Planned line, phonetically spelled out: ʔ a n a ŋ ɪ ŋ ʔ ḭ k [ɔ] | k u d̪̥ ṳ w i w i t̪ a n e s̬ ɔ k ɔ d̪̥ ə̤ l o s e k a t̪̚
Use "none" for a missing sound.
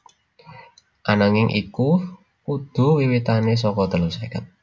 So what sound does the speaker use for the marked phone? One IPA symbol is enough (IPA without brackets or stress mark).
u